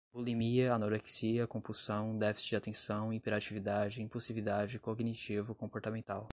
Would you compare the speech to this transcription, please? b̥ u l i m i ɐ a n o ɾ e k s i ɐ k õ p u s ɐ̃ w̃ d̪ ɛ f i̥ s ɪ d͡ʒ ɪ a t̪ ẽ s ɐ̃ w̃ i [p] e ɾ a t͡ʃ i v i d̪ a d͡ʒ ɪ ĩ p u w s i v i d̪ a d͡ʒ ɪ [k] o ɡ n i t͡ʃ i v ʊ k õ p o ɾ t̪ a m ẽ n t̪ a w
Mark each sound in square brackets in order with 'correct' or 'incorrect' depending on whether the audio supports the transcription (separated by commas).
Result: correct, correct